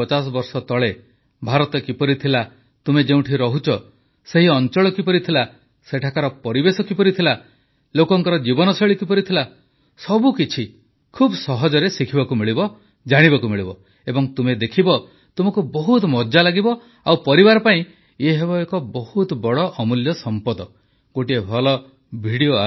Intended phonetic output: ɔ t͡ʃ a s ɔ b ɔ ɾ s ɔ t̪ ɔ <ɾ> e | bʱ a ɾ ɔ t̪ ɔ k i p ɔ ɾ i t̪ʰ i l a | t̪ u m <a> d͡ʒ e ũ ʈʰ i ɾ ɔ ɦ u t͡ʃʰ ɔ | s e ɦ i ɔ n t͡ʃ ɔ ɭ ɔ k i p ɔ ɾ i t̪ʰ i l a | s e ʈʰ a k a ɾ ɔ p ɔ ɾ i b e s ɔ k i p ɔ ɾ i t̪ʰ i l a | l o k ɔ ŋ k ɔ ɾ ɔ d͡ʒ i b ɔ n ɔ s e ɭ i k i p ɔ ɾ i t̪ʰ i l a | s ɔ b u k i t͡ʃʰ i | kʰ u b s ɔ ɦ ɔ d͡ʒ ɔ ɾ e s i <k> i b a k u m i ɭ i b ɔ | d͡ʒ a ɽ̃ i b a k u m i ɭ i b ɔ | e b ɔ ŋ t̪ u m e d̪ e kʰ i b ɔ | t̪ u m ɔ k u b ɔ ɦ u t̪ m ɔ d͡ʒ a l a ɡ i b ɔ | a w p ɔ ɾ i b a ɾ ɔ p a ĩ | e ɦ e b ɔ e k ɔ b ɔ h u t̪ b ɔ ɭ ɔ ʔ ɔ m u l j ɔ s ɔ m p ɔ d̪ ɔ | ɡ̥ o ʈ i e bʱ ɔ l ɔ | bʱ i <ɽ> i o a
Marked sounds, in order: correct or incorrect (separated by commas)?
incorrect, incorrect, incorrect, correct